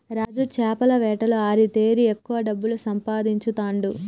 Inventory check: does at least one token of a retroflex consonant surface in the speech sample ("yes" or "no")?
yes